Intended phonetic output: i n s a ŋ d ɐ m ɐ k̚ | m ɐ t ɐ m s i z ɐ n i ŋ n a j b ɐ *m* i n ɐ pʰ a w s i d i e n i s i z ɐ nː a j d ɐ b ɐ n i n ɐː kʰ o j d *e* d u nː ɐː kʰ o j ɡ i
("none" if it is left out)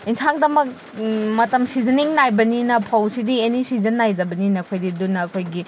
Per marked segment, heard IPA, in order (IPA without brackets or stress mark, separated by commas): n, i